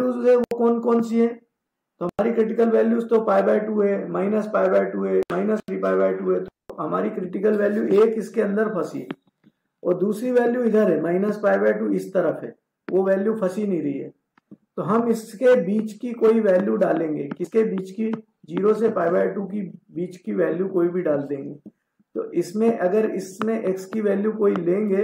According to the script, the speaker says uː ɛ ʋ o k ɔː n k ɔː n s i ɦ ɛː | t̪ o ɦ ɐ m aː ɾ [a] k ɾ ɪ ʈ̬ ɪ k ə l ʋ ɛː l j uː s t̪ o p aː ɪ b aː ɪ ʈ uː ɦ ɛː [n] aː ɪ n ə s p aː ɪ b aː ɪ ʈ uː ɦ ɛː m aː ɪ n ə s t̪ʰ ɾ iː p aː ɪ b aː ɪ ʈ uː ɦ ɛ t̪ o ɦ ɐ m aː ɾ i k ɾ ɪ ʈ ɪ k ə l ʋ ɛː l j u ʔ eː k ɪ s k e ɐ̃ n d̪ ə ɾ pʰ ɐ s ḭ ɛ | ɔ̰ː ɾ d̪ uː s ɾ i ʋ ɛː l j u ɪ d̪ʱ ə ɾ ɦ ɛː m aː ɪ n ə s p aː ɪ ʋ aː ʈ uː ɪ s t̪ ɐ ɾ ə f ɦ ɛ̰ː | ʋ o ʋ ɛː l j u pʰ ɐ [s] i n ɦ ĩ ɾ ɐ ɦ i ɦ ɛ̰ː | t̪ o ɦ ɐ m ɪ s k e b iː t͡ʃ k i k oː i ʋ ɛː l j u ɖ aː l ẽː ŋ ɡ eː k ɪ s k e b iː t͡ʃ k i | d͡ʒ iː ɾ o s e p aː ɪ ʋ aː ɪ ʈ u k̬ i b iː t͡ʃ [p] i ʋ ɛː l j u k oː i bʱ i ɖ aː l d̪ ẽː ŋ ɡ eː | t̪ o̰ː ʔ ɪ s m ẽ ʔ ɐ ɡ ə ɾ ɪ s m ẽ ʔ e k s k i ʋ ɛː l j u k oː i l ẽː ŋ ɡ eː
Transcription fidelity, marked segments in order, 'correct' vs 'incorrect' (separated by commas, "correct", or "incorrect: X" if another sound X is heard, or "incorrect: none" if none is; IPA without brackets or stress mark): incorrect: i, incorrect: m, correct, incorrect: k